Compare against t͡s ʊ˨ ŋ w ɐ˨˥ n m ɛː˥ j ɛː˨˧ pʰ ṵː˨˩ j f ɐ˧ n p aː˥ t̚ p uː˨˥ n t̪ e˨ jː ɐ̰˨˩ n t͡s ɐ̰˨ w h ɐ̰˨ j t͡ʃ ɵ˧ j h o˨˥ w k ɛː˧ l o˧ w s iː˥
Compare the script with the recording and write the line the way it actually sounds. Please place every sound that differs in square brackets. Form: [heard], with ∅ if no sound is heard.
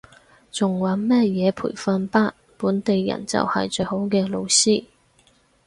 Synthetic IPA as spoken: t͡s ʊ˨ ŋ w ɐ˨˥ n m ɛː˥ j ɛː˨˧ pʰ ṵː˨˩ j f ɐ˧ n p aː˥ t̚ p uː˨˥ n t̪ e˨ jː ɐ̰˨˩ n t͡s ɐ̰˨ w h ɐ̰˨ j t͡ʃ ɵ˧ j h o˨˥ w k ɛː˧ l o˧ w s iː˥